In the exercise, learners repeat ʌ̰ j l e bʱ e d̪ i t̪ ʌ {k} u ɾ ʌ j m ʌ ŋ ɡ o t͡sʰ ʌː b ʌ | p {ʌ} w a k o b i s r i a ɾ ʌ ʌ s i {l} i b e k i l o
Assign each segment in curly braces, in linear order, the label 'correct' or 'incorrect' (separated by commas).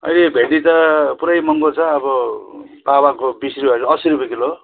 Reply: incorrect, incorrect, incorrect